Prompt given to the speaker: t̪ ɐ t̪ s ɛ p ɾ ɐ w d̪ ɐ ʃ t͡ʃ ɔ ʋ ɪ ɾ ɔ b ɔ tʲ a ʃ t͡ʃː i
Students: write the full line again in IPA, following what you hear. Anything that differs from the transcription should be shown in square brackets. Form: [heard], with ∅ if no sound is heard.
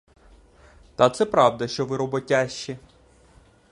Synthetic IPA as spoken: t̪ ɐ t̪ s ɛ p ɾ [ɑ] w d̪ ɐ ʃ t͡ʃ ɔ ʋ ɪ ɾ ɔ b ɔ tʲ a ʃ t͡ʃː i